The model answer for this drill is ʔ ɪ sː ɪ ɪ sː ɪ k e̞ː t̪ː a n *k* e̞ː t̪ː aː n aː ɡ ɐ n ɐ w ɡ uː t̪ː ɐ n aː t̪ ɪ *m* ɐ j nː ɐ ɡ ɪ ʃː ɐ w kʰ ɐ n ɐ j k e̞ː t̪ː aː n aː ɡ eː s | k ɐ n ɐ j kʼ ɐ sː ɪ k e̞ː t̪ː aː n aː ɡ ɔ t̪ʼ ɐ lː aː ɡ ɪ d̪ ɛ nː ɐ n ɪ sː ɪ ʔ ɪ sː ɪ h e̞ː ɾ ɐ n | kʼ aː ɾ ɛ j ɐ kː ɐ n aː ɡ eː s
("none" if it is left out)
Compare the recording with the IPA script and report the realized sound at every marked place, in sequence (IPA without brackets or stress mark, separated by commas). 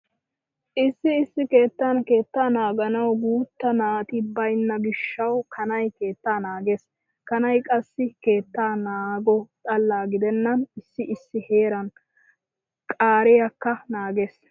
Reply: k, b